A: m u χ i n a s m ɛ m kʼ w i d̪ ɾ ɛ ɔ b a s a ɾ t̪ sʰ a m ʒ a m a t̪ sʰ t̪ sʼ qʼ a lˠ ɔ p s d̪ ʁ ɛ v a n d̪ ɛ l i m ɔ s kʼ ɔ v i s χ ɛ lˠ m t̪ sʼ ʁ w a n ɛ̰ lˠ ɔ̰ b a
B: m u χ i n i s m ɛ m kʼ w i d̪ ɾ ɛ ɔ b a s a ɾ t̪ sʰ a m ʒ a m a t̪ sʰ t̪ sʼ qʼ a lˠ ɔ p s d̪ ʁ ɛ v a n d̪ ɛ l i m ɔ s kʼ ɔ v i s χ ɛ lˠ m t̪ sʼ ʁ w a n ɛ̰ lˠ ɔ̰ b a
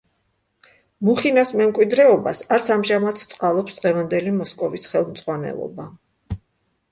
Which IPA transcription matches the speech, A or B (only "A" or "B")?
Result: A